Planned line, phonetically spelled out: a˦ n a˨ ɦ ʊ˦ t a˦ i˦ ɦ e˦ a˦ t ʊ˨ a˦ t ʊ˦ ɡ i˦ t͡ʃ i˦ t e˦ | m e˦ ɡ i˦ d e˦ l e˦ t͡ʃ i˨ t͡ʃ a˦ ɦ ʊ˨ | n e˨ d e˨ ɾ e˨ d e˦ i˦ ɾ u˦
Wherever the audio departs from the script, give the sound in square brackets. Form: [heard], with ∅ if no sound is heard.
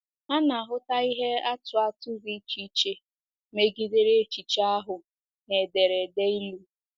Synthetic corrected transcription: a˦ n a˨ ɦ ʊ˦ t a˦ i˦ ɦ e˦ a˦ t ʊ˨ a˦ t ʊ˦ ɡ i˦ t͡ʃ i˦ [t͡ʃ] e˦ | m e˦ ɡ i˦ d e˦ [ɾ] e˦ t͡ʃ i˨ t͡ʃ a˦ ɦ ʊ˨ | n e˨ d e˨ ɾ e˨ d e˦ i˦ [l] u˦